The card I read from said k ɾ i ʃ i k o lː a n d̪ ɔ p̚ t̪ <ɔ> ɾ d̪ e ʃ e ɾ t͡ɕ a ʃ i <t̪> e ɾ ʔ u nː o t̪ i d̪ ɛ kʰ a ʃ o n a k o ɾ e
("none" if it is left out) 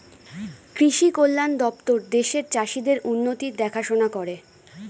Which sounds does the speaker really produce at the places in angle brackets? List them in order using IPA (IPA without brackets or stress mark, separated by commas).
o, d̪